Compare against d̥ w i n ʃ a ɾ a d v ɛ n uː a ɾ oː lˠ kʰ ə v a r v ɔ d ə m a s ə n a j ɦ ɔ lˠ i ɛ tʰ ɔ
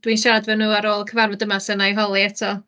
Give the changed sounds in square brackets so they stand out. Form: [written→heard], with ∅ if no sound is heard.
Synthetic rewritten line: d̥ w i n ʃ a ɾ a d v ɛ n uː a ɾ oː lˠ kʰ ə v a r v ɔ d ə m a s ə n a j ɦ ɔ lˠ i ɛ tʰ ɔ